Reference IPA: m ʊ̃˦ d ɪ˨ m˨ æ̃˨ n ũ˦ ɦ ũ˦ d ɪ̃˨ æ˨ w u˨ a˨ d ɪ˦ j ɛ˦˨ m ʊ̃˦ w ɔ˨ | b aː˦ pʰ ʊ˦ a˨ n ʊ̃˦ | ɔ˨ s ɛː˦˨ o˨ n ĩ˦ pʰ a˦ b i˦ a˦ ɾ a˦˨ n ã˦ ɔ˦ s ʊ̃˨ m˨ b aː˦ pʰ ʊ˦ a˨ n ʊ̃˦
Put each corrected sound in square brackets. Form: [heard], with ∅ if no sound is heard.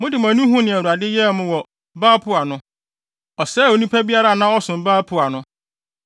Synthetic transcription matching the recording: m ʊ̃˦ d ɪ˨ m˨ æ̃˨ n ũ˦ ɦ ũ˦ [n] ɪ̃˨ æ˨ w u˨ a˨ d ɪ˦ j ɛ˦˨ m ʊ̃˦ w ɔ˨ | b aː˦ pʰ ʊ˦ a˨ n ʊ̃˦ | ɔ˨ s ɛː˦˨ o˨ n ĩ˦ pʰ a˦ b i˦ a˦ ɾ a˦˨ n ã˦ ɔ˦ s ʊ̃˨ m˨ b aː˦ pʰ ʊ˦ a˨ n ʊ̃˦